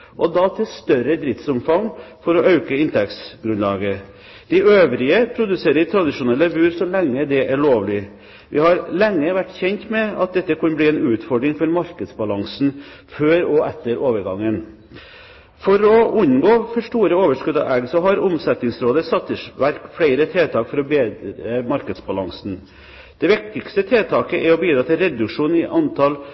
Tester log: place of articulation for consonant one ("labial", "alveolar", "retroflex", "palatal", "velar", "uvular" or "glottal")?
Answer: glottal